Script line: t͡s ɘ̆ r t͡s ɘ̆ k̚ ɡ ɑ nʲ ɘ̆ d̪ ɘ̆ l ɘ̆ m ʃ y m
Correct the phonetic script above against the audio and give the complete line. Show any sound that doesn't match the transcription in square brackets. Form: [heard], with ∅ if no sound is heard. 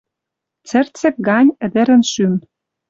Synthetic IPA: t͡s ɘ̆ r t͡s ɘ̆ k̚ ɡ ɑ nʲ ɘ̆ d̪ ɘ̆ [ɾ] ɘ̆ [n] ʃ y m